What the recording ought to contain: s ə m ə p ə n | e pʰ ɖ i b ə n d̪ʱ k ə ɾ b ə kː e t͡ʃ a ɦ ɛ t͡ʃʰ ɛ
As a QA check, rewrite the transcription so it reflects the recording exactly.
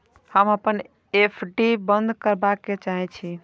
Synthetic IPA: h ə m ə p ə n | e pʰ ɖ i b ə n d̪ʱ k ə ɾ b a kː e t͡ʃ a ɦ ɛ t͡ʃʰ i

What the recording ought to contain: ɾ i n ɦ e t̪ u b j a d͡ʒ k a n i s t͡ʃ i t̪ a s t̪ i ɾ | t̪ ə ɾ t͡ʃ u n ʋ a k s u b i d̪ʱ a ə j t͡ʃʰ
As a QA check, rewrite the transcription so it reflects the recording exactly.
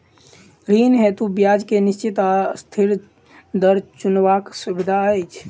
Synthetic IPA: ɾ i n ɦ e t̪ u b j a d͡ʒ k e n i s t͡ʃ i t̪ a s t̪ʰ i ɾ | d̪ ə ɾ t͡ʃ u n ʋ a k s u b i d̪ʱ a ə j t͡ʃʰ

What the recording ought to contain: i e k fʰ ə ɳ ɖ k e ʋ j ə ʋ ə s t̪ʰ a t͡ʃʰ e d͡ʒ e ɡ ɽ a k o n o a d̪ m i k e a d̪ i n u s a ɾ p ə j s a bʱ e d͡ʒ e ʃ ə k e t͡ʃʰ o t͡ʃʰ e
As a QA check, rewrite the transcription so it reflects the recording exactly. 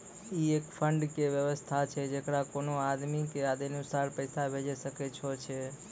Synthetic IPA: i e k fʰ ə ɳ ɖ k e ʋ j ə ʋ ə s t̪ʰ a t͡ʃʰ e d͡ʒ e k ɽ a k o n o a d̪ m i k e a d̪ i n u s a ɾ p ə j s a bʱ e d͡ʒ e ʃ ə k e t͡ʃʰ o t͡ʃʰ e

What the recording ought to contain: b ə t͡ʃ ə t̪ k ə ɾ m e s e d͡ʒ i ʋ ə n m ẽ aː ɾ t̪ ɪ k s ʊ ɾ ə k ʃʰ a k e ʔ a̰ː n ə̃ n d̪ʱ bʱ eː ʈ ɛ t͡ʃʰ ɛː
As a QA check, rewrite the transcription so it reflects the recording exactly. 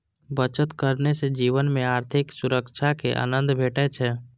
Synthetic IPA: b ə t͡ʃ ə t̪ k ə ɾ n e s e d͡ʒ iː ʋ ə n m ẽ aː ɾ t̪ʰ ɪ k s ʊ ɾ ə k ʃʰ a k e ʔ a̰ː n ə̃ n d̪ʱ bʱ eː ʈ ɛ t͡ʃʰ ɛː

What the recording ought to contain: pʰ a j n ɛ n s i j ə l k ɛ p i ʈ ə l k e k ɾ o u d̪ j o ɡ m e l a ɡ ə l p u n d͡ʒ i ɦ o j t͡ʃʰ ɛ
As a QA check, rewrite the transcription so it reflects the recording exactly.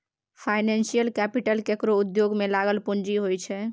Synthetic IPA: pʰ a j n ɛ n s i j ə l k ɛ p i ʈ ə l k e k ɾ o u d̪ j o ɡ m e l a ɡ ə l p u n d͡ʒ i ɦ o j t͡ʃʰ ɛ

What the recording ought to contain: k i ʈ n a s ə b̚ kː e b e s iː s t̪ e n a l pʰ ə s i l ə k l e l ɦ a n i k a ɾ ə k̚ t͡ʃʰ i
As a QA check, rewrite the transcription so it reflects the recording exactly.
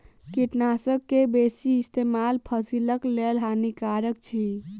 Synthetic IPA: k i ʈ n a s ə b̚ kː e b e s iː s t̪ e m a l pʰ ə s i l ə k l e l ɦ a n i k a ɾ ə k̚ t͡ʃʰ i

